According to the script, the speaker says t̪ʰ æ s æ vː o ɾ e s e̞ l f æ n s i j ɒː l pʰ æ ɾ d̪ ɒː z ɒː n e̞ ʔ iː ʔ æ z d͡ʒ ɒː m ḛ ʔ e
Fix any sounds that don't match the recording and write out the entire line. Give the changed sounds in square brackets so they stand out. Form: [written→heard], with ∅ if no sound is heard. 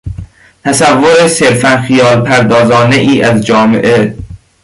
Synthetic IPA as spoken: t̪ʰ æ s æ vː o ɾ e s e̞ [l→ɾ] f æ n [s→x] i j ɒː l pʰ æ ɾ d̪ ɒː z ɒː n e̞ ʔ iː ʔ æ z d͡ʒ ɒː m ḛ ʔ e